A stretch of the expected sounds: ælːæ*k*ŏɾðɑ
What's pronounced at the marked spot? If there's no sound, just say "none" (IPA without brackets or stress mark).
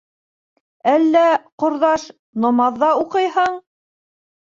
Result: q